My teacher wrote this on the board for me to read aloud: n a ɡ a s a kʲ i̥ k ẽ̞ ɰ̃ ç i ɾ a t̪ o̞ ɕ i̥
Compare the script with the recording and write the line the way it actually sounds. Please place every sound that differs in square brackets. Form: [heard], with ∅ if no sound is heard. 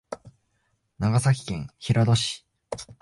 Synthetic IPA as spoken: n a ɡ a s a kʲ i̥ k ẽ̞ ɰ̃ ç i ɾ a [d̪] o̞ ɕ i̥